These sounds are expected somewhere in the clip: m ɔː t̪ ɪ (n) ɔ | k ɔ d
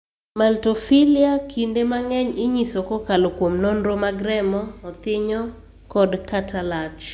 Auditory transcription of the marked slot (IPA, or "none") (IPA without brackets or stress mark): ɲ